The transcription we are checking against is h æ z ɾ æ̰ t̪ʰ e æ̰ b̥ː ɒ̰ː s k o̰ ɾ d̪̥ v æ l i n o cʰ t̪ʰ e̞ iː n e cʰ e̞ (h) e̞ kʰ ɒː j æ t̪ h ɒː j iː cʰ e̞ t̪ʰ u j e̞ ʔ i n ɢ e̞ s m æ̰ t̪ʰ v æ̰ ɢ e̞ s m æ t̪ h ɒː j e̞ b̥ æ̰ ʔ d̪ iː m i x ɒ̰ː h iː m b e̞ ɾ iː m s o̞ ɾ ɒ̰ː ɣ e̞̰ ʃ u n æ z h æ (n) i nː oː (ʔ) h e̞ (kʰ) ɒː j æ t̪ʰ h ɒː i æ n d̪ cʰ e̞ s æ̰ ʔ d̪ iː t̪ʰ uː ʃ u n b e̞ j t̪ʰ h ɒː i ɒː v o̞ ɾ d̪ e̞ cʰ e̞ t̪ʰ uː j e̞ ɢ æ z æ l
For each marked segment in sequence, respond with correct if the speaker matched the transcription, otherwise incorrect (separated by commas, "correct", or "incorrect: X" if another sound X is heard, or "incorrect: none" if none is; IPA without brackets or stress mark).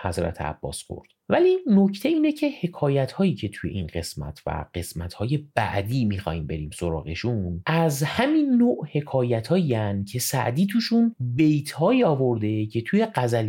correct, incorrect: m, correct, correct